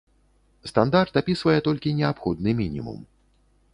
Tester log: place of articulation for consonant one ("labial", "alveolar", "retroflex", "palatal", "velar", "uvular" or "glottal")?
alveolar